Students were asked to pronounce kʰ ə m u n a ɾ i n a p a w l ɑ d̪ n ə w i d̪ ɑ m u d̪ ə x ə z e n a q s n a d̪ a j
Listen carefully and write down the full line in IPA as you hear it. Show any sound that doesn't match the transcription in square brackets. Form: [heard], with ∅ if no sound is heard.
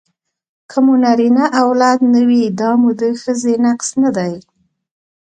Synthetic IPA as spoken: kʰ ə m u n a ɾ i n a [ʔ] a w l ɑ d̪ n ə w i d̪ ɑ m u d̪ ə x ə z e n a q s n a d̪ a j